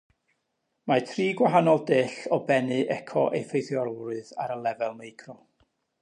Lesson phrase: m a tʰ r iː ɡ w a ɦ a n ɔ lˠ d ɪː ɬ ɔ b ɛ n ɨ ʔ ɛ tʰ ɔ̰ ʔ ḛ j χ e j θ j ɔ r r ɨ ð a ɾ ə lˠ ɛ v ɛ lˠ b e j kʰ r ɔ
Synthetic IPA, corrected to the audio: m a tʰ r iː ɡ w a ɦ a n ɔ lˠ d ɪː ɬ ɔ b ɛ n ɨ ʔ ɛ kʰ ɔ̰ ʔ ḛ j f e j θ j ɔ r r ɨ ð a ɾ ə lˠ ɛ v ɛ lˠ m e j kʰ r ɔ